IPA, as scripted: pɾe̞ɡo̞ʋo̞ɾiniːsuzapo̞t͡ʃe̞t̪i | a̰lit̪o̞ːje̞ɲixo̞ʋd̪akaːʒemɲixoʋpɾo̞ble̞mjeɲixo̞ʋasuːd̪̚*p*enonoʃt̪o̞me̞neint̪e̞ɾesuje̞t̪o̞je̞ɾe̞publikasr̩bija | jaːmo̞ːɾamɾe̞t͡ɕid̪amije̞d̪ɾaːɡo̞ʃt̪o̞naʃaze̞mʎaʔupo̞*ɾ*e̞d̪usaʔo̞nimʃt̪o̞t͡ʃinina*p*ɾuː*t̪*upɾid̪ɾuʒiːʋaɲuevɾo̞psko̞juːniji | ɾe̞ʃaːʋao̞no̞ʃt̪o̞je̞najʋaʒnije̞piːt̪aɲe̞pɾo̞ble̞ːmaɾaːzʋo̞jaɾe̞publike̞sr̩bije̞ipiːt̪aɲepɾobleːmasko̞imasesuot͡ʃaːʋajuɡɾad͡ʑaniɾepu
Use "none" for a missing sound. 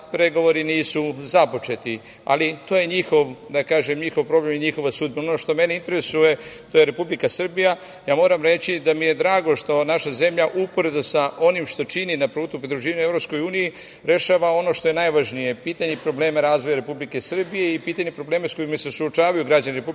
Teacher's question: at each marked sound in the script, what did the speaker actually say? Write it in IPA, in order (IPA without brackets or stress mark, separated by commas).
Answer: b, ɾ, p, t̪